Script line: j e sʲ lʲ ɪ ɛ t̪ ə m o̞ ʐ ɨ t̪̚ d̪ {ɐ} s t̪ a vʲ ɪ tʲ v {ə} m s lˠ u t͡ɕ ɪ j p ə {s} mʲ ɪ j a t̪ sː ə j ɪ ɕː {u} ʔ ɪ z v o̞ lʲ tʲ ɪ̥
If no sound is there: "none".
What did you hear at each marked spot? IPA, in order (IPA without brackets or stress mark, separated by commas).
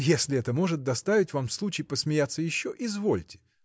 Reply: ɐ, a, s, o